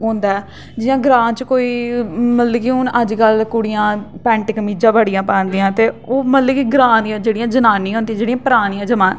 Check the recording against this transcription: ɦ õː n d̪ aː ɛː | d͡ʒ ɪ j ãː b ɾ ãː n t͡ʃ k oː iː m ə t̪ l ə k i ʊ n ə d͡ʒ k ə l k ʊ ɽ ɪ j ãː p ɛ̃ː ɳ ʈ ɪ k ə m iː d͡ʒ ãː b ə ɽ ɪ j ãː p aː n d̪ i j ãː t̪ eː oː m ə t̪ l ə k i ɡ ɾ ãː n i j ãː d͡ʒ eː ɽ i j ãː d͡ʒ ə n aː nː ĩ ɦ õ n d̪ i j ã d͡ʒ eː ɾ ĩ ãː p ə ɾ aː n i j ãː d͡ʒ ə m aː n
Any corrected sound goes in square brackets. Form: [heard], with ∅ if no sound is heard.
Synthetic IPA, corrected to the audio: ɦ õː n d̪ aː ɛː | d͡ʒ ɪ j ãː [ɡ] ɾ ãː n t͡ʃ k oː iː m ə t̪ l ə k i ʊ n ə d͡ʒ k ə l k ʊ ɽ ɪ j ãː p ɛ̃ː ɳ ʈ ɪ k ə m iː d͡ʒ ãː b ə ɽ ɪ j ãː p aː n d̪ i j ãː t̪ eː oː m ə t̪ l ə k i ɡ ɾ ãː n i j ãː d͡ʒ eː ɽ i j ãː d͡ʒ ə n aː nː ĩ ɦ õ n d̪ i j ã d͡ʒ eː [ɽ] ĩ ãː p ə ɾ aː n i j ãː d͡ʒ ə m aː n